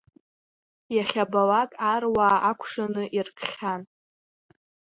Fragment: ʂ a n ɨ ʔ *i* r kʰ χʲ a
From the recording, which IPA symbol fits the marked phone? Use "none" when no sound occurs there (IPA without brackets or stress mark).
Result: i